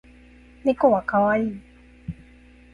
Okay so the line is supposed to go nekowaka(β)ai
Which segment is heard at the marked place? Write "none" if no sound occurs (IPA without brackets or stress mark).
w